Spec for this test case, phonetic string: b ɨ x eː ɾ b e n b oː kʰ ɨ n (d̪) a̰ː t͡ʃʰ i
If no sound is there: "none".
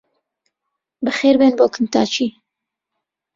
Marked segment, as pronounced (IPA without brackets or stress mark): t̪